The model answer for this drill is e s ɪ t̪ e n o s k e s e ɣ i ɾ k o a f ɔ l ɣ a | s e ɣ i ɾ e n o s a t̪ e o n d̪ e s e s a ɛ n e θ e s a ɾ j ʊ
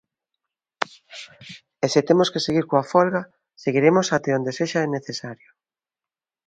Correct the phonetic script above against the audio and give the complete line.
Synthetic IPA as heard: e s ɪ t̪ e m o s k e s e ɣ i ɾ k o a f ɔ l ɣ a | s e ɣ i ɾ e m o s a t̪ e o n d̪ e s e ʃ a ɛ n e θ e s a ɾ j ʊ